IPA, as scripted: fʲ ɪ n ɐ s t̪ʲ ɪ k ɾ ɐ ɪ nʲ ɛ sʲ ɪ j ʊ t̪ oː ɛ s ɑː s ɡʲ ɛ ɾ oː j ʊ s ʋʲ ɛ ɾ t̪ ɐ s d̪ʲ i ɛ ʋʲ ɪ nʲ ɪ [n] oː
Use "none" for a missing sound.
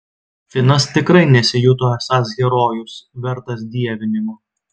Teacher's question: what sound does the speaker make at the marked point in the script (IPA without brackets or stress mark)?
m